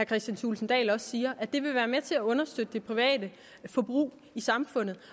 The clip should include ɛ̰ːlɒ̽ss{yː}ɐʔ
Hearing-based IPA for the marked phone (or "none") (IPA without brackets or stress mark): iː